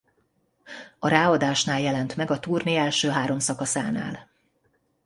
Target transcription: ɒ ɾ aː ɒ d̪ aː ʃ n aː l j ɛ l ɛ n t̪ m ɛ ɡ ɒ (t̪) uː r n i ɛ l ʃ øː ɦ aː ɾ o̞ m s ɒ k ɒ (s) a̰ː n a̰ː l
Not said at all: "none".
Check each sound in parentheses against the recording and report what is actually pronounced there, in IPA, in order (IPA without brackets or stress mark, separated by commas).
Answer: t̪, s